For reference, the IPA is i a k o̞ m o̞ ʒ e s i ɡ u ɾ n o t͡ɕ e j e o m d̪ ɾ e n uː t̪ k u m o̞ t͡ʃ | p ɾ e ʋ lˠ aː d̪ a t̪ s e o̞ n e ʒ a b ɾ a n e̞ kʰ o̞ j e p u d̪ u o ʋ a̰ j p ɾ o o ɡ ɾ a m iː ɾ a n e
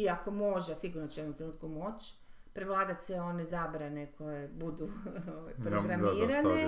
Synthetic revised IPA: i a k o̞ m o̞ ʒ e s i ɡ u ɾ n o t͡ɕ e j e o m t̪ ɾ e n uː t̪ k u m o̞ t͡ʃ | p ɾ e ʋ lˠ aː d̪ a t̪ s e o̞ n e z a b ɾ a n e̞ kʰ o̞ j e b u d̪ u o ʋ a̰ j p ɾ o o ɡ ɾ a m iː ɾ a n e